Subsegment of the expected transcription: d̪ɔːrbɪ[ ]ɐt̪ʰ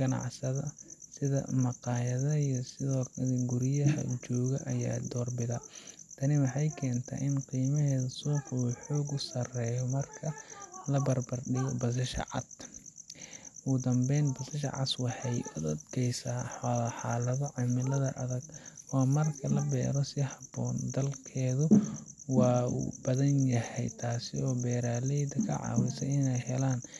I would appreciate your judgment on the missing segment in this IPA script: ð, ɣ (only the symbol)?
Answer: ð